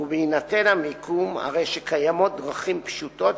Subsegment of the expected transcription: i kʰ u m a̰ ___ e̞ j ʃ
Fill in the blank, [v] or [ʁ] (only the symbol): ʁ